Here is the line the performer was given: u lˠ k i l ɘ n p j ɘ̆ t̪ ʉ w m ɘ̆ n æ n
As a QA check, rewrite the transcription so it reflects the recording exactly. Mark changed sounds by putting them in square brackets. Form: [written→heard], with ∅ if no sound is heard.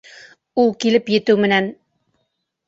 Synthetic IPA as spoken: u lˠ k i l ɘ [n→∅] p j ɘ̆ t̪ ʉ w m ɘ̆ n æ n